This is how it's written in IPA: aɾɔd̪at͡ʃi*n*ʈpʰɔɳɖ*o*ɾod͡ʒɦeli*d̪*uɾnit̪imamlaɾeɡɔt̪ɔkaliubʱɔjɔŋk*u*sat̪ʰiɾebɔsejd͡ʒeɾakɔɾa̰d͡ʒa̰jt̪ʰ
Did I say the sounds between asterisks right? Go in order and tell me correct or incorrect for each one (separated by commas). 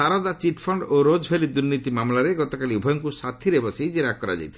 incorrect, correct, correct, correct